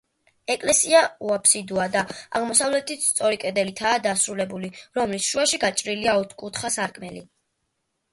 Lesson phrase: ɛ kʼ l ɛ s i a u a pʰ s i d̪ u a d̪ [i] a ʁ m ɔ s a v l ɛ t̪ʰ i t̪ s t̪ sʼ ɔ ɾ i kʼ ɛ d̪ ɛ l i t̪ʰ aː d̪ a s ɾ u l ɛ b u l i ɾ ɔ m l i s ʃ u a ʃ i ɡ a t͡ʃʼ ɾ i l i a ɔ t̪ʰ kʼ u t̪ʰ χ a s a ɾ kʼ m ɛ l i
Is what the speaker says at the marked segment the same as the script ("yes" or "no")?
no